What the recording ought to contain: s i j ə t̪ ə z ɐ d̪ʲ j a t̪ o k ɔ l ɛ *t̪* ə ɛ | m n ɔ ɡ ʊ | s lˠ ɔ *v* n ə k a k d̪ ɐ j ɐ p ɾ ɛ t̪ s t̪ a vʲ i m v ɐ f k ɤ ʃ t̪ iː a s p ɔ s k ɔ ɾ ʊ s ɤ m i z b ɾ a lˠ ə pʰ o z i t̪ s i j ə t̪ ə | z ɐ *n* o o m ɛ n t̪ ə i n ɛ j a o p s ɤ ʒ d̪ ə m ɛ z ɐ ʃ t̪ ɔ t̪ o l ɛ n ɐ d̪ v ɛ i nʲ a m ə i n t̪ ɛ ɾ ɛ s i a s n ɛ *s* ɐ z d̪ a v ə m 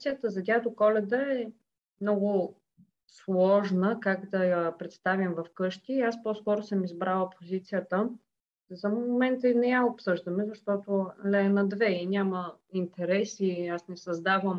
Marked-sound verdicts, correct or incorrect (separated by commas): incorrect, incorrect, incorrect, correct